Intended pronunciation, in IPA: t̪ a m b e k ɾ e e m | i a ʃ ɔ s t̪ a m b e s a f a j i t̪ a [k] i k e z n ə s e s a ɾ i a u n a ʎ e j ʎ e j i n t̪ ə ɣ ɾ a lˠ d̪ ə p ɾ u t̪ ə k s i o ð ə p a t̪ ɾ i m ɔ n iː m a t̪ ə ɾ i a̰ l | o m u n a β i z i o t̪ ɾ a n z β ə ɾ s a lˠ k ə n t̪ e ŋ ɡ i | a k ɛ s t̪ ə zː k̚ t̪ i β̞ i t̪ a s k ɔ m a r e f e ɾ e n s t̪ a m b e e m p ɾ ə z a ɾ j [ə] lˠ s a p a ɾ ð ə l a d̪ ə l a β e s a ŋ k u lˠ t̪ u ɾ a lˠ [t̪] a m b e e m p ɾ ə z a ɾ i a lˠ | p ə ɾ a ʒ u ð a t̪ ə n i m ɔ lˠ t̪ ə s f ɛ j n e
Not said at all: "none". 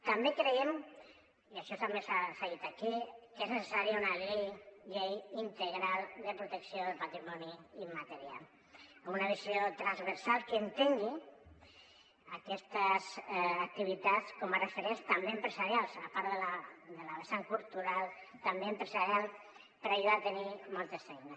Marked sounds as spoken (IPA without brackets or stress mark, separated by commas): k, a, t̪